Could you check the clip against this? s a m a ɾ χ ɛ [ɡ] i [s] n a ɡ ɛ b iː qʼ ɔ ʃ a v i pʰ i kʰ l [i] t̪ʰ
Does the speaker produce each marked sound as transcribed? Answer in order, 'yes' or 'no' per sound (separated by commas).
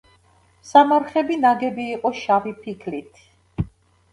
no, no, yes